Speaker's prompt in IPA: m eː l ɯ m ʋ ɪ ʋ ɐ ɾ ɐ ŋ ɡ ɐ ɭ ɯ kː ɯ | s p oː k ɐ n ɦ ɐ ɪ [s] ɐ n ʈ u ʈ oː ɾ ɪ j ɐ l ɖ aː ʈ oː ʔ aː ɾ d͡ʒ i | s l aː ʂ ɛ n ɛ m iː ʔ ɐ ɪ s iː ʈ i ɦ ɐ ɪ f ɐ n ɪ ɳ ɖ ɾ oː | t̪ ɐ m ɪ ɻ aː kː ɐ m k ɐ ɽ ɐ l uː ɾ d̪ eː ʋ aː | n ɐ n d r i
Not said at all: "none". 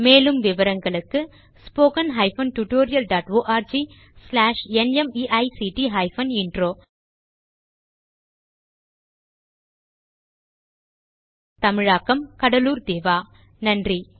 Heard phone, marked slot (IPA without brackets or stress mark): f